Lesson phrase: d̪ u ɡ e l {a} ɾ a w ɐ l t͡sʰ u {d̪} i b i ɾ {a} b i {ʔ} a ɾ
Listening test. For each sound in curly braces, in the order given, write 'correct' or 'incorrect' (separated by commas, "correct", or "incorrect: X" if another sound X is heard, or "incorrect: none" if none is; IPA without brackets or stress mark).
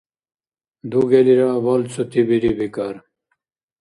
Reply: incorrect: i, incorrect: t̪, incorrect: i, incorrect: k